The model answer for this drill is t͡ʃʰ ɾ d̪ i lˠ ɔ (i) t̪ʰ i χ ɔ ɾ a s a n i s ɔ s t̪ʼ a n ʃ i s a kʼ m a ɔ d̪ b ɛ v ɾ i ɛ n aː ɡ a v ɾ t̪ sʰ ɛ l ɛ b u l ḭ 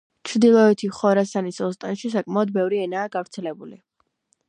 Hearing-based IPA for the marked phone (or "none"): ɛ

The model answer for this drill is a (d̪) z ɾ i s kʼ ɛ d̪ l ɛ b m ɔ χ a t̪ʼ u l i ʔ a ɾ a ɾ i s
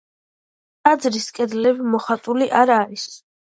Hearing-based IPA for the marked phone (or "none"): d̪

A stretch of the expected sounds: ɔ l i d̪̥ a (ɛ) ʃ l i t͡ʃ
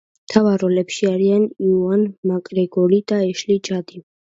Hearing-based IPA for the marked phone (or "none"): ɛ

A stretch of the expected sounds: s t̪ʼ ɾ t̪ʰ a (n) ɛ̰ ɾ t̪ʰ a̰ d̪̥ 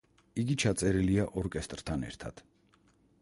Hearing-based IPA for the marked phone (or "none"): n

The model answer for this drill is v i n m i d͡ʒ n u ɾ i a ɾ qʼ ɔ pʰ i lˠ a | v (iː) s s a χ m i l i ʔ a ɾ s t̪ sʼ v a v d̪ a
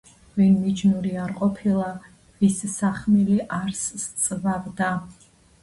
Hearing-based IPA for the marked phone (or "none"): i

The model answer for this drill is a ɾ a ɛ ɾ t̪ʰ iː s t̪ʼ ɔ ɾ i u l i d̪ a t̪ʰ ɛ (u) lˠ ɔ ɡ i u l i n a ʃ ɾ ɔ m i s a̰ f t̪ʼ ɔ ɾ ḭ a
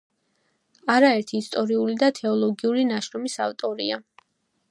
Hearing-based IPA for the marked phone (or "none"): ɔ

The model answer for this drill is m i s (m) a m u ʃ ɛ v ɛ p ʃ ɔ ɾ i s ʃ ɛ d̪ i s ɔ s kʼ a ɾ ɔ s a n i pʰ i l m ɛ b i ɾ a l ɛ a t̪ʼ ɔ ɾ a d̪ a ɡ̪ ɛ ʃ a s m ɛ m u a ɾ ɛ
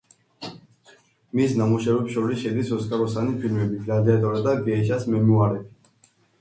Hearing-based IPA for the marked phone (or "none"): n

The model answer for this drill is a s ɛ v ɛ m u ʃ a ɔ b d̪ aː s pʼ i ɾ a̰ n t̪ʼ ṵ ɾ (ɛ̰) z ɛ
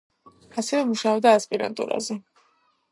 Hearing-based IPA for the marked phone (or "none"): a̰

